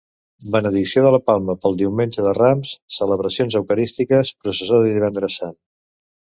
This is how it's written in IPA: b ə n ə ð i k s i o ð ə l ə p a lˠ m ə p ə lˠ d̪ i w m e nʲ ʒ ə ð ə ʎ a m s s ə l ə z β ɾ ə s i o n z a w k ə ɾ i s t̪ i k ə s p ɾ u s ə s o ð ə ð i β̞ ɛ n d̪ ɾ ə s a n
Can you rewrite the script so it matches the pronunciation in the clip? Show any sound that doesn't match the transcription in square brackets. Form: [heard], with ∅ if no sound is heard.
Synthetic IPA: b ə n ə ð i k s i o ð ə l ə p a lˠ m ə p ə lˠ d̪ i w m e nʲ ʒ ə ð ə [r] a m s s ə l ə [∅] β ɾ ə s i o n z [ə] w k ə ɾ i s t̪ i k ə s p ɾ u s ə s o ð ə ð i β̞ ɛ n d̪ ɾ ə s a n